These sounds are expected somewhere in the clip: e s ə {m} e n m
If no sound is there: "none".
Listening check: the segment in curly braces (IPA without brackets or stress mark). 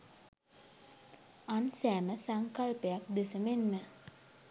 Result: m